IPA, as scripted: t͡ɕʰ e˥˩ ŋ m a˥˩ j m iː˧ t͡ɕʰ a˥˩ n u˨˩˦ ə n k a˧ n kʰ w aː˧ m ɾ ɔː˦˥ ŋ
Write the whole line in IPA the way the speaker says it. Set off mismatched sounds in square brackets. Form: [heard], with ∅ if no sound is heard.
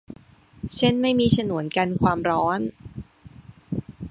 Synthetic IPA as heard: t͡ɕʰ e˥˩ [n] m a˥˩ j m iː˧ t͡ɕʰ [a˧] n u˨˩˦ ə n k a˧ n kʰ w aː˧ m ɾ ɔː˦˥ [n]